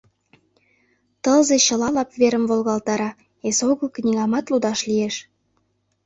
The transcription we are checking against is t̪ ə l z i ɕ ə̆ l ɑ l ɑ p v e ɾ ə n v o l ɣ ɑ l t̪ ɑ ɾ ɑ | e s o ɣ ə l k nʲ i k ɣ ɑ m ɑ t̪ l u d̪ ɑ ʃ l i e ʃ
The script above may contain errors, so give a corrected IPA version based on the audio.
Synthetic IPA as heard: t̪ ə l z e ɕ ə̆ l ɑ l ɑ p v e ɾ ə m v o l ɣ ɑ l t̪ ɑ ɾ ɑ | e s o ɣ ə l k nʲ i ɣ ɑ m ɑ t̪ l u d̪ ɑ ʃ l i e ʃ